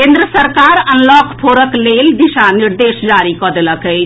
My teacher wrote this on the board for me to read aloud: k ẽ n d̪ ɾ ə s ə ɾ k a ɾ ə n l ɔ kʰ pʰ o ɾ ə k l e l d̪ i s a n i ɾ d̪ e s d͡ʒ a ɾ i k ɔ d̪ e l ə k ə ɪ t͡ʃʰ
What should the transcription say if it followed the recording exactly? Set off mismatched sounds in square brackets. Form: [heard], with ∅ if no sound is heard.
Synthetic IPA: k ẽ n d̪ ɾ ə s ə ɾ k a ɾ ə n l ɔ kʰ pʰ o ɾ ə k l e l d̪ i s a n i ɾ d̪ e s d͡ʒ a ɾ i k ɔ d̪ e l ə k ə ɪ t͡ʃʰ